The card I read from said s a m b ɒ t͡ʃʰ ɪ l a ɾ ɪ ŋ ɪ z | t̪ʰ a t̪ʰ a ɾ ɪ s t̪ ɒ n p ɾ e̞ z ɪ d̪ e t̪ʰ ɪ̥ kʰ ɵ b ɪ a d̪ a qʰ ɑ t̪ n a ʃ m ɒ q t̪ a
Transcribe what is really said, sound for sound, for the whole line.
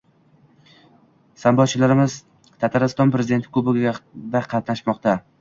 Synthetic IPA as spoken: s a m b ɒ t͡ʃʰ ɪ l a ɾ ɪ m ɪ z | t̪ʰ a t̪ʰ a ɾ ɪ s t̪ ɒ n p ɾ e̞ z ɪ d̪ e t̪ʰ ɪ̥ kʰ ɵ b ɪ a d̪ a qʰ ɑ t̪ n a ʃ m ɒ q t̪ a

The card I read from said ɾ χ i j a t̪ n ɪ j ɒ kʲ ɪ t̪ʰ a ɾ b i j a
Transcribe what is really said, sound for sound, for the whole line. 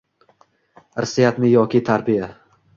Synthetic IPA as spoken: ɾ s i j a t̪ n ɪ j ɒ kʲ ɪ t̪ʰ a ɾ b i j a

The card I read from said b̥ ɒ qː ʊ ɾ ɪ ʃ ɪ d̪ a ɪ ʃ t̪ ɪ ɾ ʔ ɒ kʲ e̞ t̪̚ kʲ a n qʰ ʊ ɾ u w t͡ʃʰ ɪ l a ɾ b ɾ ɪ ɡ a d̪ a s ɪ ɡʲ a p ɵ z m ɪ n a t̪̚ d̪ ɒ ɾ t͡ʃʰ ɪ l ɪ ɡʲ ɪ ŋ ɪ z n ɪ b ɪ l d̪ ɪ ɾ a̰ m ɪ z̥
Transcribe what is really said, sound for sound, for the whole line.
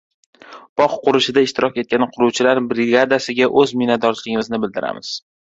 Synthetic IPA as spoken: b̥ ɒ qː ʊ ɾ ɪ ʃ ɪ d̪ a ɪ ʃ t̪ ɪ ɾ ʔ ɒ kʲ e̞ t̪̚ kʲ a n qʰ ʊ ɾ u w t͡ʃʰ ɪ l a ɾ b ɾ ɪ ɡ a d̪ a s ɪ ɡʲ a ʔ ɵ z m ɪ n a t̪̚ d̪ ɒ ɾ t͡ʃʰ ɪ l ɪ ɡʲ ɪ m ɪ z n ɪ b ɪ l d̪ ɪ ɾ a̰ m ɪ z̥

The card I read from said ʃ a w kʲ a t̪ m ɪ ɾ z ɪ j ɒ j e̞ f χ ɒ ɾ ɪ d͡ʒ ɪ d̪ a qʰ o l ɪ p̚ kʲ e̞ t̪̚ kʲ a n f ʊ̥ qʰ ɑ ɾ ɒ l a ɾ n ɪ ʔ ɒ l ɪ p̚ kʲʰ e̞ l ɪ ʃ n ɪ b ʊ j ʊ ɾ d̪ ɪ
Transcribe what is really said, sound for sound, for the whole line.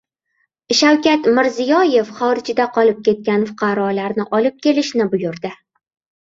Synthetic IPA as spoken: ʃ a w kʲ a t̪ m ɪ ɾ z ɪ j ɒ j e̞ f χ ɒ ɾ ɪ d͡ʒ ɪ d̪ a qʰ ɒ l ɪ p̚ kʲ e̞ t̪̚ kʲ a n f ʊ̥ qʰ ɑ ɾ ɒ l a ɾ n ɪ ʔ ɒ l ɪ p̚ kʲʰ e̞ l ɪ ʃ n ɪ b ʊ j ʊ ɾ d̪ ɪ

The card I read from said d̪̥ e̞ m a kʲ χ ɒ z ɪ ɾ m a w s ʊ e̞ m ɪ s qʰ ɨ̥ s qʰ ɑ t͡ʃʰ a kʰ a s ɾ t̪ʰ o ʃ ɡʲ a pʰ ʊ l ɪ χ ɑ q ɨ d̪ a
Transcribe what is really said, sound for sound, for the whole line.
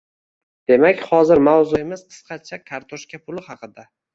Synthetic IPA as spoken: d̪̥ e̞ m a kʲ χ ɒ z ɪ ɾ m a w z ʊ e̞ m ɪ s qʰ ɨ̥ s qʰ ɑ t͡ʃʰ a kʰ a ɾ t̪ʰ o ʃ kʲ a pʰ ʊ l ɪ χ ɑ q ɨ d̪ a

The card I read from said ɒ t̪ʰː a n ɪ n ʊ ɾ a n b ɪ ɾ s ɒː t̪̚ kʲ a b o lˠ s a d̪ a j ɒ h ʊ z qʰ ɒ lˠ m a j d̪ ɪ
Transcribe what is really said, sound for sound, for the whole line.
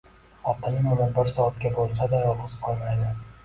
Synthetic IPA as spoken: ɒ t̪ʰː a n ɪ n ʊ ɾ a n b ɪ ɾ s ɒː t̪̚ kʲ a b o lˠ s a d̪ a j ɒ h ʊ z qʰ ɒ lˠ m a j d̪ ɪ

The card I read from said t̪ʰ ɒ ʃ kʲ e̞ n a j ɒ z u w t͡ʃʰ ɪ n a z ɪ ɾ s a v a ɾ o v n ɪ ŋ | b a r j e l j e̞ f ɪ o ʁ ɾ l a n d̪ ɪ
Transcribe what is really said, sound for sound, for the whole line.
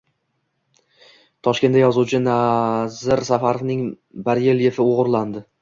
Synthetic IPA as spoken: t̪ʰ ɒ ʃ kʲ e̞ n a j ɒ z u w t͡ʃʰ ɪ n a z ɪ ɾ s a f a ɾ o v n ɪ ŋ | b a ɾ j e l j e̞ f ɪ o ʁ ɾ l a n d̪ ɪ

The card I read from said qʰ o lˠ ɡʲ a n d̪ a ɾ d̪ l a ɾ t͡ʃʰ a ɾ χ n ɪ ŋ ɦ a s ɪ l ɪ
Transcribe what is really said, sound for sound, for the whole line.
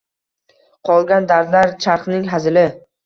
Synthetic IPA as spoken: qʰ ɒ lˠ ɡʲ a n d̪ a ɾ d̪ l a ɾ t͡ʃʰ a ɾ χ n ɪ ŋ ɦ a z ɪ l ɪ

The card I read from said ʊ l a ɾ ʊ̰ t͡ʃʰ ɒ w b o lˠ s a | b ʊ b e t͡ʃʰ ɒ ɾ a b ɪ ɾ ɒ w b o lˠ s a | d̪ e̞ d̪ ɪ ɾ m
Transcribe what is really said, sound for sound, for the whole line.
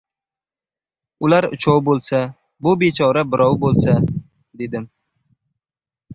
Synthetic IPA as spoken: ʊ l a ɾ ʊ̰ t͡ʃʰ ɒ w b o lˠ s a | b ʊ b e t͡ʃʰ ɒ ɾ a b ɪ ɾ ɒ w b o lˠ s a | d̪ e̞ d̪ ɪ m

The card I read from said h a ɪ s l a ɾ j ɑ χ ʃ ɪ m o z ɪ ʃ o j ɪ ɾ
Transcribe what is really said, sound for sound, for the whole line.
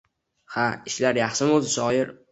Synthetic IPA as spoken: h a ɪ ʃ l a ɾ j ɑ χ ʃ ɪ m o z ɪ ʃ ɒ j ɪ ɾ

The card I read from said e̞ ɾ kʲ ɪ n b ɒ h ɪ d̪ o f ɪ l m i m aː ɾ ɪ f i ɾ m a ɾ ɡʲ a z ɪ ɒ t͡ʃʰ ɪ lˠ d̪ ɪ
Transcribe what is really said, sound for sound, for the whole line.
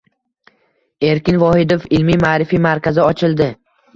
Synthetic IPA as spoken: e̞ ɾ kʲ ɪ n v ɒ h ɪ d̪ o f ɪ l m i m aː ɾ ɪ f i m a ɾ kʲ a z ɪ ɒ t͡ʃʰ ɪ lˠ d̪ ɪ

